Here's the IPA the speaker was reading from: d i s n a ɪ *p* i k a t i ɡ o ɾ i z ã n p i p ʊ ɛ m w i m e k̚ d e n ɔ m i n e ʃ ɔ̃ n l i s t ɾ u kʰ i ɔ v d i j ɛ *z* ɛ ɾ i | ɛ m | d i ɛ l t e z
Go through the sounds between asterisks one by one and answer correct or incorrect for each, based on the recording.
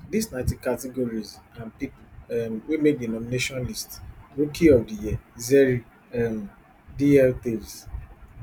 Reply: incorrect, correct

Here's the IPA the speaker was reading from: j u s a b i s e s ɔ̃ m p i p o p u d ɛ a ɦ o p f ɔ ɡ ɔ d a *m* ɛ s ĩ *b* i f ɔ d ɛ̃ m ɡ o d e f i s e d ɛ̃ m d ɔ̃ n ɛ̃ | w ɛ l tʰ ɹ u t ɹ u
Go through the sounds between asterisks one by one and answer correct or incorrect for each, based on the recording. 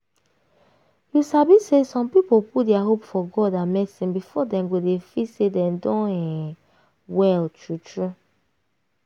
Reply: correct, correct

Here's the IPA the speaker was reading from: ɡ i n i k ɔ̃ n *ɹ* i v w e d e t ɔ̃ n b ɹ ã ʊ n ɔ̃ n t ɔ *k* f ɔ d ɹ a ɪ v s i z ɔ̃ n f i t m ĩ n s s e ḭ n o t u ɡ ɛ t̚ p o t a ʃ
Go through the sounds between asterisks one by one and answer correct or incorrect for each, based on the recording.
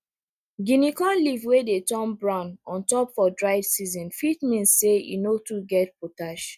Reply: incorrect, incorrect

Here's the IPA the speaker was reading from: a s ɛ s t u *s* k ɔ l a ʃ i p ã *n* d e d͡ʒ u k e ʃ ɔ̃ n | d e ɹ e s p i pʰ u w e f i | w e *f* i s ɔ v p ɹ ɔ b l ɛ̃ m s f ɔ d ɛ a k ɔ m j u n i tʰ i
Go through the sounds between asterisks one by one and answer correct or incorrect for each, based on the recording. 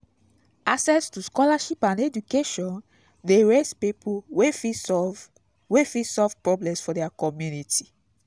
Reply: correct, correct, correct

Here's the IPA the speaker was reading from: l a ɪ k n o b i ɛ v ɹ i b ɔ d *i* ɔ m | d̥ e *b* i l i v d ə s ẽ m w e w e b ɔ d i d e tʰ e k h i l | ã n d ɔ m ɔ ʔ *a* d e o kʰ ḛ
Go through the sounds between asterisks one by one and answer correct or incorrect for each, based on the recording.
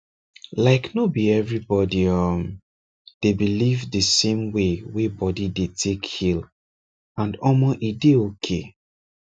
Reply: correct, correct, incorrect

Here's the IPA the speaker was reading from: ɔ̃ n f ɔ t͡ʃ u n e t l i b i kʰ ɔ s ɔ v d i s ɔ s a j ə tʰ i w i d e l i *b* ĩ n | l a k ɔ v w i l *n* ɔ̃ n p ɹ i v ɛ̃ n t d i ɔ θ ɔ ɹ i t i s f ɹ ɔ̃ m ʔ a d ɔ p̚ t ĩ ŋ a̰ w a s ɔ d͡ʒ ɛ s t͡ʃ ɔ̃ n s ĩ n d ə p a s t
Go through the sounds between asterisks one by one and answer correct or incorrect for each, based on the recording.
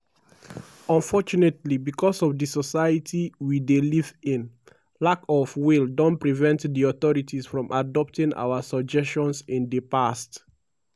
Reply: incorrect, incorrect

